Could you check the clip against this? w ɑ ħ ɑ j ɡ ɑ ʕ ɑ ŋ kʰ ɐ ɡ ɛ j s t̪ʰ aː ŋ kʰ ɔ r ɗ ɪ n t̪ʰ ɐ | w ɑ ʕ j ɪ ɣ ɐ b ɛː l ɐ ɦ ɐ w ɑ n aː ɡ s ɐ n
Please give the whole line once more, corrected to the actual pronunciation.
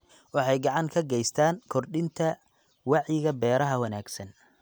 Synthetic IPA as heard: w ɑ ħ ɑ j ɡ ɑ ʕ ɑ ŋ kʰ ɐ ɡ ɛ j s t̪ʰ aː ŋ kʰ ɔ r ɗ ɪ n t̪ʰ ɐ | w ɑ ʕ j ɪ ɣ ɐ b ɛː ɾ ɐ ɦ ɐ w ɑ n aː ɡ s ɐ n